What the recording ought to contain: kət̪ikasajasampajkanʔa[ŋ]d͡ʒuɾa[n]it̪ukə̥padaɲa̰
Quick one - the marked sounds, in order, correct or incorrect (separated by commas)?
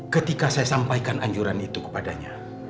incorrect, correct